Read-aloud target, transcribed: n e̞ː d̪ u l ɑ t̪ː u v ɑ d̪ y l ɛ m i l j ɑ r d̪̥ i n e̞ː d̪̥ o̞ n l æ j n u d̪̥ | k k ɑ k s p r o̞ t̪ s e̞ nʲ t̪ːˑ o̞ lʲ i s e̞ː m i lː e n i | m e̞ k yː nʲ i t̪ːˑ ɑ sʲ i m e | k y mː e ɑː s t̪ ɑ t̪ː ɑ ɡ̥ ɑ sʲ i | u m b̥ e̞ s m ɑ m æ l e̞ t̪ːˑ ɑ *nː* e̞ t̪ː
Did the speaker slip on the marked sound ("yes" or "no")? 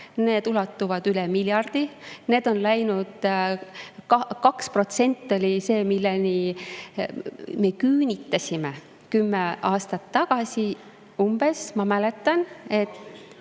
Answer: yes